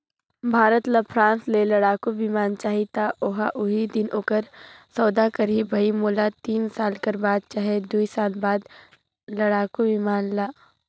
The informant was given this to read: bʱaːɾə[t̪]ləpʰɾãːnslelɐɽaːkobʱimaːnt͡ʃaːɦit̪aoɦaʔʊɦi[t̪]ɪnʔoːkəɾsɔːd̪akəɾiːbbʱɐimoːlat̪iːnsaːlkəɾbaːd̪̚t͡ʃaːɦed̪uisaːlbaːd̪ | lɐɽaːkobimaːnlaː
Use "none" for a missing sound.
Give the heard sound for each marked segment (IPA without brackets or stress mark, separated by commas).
t̪, d̪